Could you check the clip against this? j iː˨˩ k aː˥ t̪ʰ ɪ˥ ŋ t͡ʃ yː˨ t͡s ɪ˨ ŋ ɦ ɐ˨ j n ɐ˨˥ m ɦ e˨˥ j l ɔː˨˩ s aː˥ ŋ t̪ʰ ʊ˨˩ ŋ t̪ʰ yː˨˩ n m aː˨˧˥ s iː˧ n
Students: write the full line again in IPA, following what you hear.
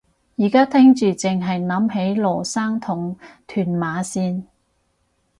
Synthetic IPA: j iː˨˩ k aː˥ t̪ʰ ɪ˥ ŋ t͡ʃ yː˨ t͡s ɪ˨ ŋ ɦ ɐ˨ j n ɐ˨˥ m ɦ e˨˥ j l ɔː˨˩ s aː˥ ŋ t̪ʰ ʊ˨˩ ŋ t̪ʰ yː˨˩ n m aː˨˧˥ s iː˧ n